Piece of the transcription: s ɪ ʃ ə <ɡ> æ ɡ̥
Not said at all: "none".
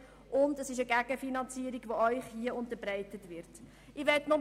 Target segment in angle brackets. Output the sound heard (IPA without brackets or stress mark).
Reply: ɡ